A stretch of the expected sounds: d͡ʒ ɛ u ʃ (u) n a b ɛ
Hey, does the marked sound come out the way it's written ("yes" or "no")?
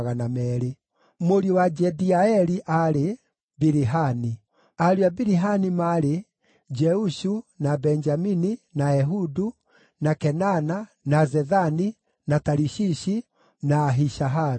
yes